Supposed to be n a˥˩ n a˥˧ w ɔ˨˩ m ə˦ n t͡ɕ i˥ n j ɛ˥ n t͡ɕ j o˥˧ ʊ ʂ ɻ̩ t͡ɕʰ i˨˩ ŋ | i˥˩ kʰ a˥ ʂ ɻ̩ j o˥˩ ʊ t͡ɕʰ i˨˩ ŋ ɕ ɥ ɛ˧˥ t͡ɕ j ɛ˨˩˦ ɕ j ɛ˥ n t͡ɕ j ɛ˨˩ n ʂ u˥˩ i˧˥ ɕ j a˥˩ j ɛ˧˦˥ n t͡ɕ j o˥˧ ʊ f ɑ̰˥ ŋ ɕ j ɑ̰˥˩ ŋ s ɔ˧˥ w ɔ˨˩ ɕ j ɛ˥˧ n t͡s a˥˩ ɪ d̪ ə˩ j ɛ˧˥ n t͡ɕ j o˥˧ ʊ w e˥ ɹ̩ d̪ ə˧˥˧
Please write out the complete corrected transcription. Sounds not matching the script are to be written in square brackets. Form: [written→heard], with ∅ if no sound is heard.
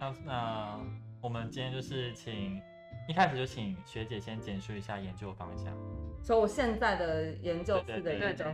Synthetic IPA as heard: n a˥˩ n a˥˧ w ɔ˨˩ m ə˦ n t͡ɕ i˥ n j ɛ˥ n t͡ɕ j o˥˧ ʊ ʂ ɻ̩ t͡ɕʰ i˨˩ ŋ | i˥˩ kʰ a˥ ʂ ɻ̩ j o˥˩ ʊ t͡ɕʰ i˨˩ ŋ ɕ ɥ ɛ˧˥ t͡ɕ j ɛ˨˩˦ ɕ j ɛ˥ n t͡ɕ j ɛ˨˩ n ʂ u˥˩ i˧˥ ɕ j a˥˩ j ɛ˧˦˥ n t͡ɕ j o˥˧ ʊ f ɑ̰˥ ŋ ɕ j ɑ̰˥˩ ŋ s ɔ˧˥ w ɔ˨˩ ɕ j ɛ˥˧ n t͡s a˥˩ ɪ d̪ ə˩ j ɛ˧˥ n t͡ɕ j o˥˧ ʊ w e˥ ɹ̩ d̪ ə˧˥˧